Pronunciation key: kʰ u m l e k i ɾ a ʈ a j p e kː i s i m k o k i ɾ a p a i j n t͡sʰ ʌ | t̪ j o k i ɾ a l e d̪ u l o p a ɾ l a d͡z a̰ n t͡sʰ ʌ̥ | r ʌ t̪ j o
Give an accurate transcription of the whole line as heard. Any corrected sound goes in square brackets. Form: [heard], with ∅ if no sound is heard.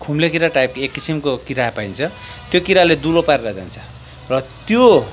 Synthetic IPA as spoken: kʰ u m l e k i ɾ a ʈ a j p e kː i s i m k o k i ɾ a p a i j n t͡sʰ ʌ | t̪ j o k i ɾ a l e d̪ u l o p a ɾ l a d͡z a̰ n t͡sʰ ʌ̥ | r ʌ t̪ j o